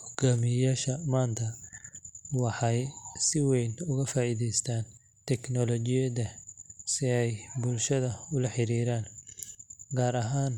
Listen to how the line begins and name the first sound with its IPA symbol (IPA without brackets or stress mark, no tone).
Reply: h